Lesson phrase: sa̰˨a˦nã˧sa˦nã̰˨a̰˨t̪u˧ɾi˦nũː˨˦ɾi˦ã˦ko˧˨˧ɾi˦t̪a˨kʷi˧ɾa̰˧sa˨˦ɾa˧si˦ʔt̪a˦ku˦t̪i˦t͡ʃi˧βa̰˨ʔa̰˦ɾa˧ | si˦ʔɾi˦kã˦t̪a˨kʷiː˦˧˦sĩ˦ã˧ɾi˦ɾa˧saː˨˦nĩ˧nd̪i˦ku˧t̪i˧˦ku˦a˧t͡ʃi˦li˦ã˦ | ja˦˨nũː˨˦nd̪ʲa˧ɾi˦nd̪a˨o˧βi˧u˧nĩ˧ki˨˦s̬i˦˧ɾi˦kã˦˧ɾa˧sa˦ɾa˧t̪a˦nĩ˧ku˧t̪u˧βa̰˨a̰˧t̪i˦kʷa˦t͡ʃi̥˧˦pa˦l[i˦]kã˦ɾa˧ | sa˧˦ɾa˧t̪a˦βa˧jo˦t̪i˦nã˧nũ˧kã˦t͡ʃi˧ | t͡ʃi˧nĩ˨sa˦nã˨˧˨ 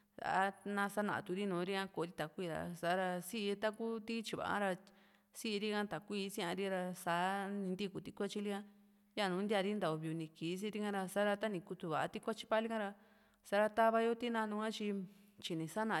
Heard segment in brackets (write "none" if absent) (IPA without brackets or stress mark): i˦